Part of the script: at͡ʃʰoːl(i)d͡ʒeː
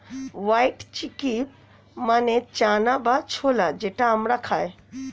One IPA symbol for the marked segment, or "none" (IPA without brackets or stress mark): a